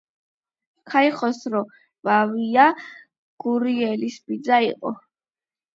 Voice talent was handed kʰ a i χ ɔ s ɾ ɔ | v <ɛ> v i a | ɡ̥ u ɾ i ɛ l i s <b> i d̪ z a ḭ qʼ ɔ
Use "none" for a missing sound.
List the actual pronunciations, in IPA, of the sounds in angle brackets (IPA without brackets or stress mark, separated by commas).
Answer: a, b